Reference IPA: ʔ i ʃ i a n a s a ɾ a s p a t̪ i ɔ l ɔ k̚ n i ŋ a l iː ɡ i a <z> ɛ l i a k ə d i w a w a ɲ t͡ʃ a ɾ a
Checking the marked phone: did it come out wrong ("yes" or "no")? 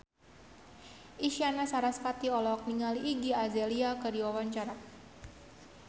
no